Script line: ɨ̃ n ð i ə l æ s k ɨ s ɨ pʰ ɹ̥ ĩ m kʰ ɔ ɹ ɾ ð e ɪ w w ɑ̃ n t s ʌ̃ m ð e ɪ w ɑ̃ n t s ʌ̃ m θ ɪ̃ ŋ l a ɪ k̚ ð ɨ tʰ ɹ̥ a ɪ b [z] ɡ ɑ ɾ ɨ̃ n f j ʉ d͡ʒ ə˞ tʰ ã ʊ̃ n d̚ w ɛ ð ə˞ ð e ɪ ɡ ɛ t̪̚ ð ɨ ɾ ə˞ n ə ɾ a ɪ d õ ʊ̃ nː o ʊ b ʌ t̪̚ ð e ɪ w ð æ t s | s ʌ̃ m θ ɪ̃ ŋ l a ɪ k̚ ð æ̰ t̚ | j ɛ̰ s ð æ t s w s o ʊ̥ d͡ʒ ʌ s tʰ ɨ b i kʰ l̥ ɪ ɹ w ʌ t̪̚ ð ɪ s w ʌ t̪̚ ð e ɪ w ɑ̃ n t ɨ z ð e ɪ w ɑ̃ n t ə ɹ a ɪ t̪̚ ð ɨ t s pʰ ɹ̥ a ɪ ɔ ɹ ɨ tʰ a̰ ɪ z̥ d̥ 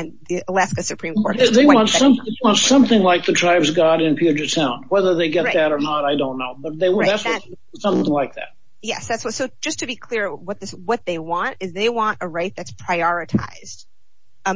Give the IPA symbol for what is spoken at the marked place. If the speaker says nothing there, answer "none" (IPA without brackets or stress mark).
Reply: z